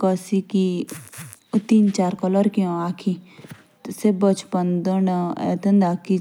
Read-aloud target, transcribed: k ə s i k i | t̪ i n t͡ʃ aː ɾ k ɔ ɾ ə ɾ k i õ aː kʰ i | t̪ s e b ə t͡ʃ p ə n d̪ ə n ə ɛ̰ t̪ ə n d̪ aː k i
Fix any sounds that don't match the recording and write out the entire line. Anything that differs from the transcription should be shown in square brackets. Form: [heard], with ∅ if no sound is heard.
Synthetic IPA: k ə s i k i | t̪ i n t͡ʃ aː ɾ k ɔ [l] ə ɾ k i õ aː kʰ i | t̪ s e b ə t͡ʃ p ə n d̪ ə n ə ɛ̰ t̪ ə n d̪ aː k i